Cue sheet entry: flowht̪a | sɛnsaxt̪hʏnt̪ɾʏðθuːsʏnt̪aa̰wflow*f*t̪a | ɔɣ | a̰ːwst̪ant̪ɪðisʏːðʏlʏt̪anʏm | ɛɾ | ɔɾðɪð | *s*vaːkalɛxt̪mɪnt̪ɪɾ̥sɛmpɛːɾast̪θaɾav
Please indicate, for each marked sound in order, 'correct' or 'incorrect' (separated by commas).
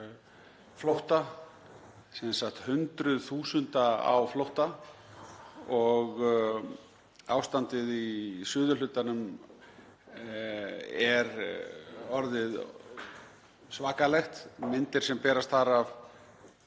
incorrect, correct